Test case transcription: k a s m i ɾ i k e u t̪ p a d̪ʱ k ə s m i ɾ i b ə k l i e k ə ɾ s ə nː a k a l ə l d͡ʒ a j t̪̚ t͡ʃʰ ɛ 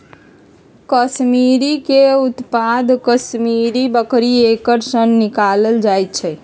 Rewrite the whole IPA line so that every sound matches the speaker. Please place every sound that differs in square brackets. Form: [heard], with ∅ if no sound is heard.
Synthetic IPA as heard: k [ə] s m i ɾ i k e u t̪ p a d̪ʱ k ə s m i ɾ i b ə k [ɾ] i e k ə ɾ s ə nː [i] k a l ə l d͡ʒ a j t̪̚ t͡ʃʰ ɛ